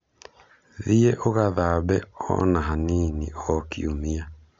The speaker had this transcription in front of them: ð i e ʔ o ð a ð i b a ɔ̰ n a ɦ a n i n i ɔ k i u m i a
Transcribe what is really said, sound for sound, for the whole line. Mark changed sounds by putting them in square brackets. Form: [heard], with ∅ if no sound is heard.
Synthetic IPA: ð i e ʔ o [ɣ] a ð [a] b [ɛ] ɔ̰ n a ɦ a n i n i ɔ k i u m i a